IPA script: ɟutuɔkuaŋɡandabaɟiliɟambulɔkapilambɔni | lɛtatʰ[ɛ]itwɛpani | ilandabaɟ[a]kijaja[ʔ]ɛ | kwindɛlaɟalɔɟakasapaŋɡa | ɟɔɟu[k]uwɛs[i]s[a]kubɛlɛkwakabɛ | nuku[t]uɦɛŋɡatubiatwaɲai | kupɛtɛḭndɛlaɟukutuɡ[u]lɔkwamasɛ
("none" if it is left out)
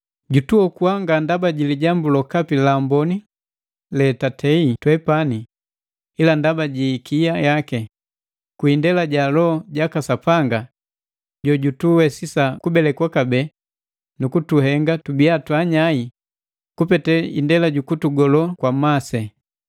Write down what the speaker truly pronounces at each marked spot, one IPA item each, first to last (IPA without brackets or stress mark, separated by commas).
ɛ, i, k, t, i, a, t, ɔ